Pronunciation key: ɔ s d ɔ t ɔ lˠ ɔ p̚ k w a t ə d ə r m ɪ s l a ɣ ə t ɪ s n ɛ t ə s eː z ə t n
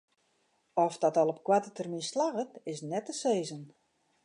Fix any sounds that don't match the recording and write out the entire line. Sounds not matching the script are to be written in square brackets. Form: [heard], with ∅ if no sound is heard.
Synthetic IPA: ɔ [f] d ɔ t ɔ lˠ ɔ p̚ k w a t ə [t] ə r m [i] s l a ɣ ə t ɪ s n ɛ t ə s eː z ə [∅] n

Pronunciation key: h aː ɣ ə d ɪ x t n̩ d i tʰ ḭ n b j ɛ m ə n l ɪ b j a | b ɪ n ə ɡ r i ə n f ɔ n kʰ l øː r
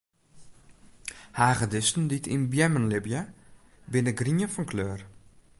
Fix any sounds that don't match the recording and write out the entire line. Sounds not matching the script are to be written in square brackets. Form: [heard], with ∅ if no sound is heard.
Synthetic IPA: h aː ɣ ə d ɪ [s] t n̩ d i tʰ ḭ n b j ɛ m ə n l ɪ b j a | b ɪ n ə ɡ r i ə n f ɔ n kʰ l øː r

